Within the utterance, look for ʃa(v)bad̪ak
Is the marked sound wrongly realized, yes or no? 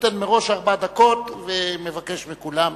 yes